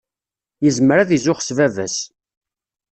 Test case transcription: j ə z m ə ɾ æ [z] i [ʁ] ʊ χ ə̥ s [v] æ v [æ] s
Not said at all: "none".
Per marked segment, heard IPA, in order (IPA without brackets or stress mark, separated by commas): ð, z, v, æ